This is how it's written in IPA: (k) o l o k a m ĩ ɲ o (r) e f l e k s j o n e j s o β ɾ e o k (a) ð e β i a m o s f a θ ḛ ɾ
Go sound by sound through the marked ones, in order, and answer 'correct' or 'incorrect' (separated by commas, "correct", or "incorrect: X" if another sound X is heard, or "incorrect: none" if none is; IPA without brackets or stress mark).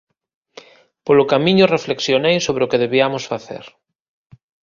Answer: incorrect: p, correct, incorrect: e